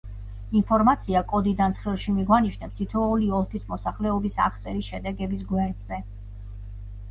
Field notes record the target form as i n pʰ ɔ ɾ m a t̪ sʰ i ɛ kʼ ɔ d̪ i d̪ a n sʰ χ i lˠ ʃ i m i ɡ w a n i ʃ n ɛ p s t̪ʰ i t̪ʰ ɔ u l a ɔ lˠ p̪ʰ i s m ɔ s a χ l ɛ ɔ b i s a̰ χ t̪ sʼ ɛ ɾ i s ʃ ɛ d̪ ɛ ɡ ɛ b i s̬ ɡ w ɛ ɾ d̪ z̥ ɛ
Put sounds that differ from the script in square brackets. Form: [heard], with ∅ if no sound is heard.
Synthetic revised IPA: i n pʰ ɔ ɾ m a t̪ sʰ i [a] kʼ ɔ d̪ i d̪ a n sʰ χ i lˠ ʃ i m i ɡ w a n i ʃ n ɛ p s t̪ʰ i t̪ʰ ɔ u l [i] ɔ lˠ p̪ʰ i s m ɔ s a χ l ɛ ɔ b i s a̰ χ t̪ sʼ ɛ ɾ i s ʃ ɛ d̪ ɛ ɡ ɛ b i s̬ ɡ w ɛ ɾ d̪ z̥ ɛ